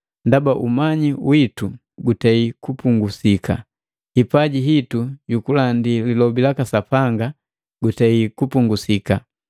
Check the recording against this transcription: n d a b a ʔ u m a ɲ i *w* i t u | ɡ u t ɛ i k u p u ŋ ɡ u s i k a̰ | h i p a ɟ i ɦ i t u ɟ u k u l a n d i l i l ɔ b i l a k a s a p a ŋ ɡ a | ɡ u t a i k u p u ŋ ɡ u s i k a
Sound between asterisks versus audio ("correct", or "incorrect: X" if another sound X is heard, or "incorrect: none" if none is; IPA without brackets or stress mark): correct